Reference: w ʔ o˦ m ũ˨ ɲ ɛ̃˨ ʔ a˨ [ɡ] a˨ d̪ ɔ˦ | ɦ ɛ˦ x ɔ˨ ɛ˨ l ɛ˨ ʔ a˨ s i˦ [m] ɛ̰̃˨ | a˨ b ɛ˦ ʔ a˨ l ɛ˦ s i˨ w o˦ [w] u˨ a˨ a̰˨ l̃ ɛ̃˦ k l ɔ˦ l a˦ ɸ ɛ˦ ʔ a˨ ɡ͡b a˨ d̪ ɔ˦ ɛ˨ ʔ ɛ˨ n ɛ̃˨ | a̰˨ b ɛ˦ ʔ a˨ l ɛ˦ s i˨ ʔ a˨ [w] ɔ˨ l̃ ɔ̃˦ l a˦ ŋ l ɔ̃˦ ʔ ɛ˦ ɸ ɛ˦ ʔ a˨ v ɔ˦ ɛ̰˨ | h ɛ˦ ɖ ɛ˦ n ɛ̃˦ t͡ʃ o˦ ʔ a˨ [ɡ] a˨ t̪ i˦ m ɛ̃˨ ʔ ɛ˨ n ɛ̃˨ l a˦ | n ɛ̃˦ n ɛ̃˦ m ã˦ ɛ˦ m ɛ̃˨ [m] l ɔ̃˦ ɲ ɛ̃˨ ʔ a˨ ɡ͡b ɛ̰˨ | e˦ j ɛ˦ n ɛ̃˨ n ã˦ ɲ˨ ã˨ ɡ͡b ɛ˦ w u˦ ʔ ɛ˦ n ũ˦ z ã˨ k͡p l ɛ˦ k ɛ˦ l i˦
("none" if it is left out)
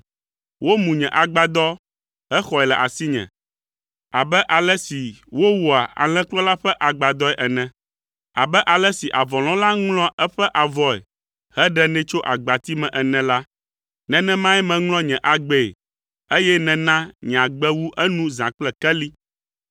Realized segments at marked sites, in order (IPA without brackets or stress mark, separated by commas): ɡ͡b, ɲ, w, v, ɡ͡b, ŋ